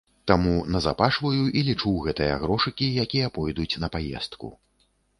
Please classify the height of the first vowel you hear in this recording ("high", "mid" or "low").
low